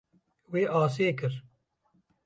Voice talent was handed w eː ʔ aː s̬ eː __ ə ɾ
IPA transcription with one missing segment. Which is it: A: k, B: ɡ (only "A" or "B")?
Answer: A